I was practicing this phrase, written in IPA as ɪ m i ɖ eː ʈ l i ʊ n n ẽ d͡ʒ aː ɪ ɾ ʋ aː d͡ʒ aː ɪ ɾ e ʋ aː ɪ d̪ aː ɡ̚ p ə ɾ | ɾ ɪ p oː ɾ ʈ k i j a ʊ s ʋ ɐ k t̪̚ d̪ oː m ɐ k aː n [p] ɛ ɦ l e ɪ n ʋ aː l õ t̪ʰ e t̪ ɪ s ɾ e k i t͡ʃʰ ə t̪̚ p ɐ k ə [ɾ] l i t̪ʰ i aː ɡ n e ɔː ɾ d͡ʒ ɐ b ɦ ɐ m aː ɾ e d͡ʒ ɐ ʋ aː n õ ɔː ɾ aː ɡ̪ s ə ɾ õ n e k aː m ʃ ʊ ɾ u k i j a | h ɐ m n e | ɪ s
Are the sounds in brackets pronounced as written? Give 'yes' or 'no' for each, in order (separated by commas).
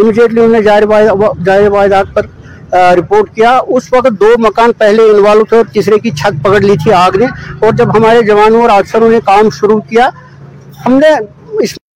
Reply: yes, no